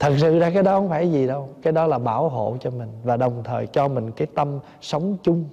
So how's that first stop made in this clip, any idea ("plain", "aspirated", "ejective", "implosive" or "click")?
aspirated